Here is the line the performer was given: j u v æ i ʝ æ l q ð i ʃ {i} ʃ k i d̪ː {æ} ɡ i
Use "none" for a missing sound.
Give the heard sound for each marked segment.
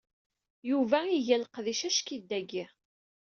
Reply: æ, æ

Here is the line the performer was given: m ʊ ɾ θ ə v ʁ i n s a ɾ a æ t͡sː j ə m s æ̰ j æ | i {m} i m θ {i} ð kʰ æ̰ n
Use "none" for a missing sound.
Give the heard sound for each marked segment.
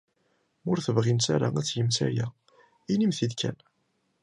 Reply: n, i

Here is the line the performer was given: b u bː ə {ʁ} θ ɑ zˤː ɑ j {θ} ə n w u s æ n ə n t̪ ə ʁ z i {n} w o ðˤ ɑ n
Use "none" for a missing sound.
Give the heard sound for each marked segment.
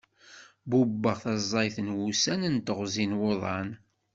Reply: ʁ, θ, n

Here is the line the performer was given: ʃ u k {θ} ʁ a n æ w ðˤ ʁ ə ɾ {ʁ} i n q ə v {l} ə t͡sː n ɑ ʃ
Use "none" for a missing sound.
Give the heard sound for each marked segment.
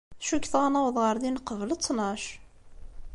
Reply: θ, ð, l

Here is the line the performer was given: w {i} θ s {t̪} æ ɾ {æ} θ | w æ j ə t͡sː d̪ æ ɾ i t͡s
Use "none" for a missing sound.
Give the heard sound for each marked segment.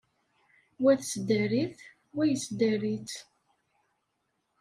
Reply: æ, d̪, i

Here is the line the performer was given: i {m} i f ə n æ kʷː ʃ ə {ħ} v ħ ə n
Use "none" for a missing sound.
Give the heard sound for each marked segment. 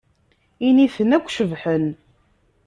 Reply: n, none

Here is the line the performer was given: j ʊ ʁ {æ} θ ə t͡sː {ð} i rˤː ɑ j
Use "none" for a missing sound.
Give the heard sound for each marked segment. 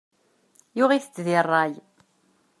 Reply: i, ð

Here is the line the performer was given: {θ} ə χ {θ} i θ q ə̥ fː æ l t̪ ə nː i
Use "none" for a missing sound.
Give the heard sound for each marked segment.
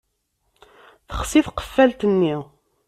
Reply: θ, s

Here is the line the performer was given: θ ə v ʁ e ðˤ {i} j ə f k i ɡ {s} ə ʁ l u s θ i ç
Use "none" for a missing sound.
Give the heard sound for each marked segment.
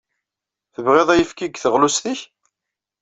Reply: æ, θ

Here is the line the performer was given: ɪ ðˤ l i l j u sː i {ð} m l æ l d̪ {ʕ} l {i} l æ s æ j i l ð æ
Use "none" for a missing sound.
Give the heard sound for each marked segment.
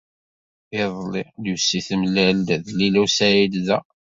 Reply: θ, ð, i

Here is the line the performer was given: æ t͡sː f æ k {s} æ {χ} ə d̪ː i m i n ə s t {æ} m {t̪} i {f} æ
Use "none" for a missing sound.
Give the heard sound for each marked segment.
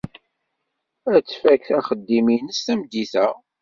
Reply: θ, χ, æ, d̪, θ

